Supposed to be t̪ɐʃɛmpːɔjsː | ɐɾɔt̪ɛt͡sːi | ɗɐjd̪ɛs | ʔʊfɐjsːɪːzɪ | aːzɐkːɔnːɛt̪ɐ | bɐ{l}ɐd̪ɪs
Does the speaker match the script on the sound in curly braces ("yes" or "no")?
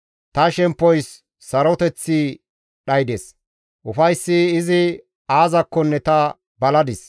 yes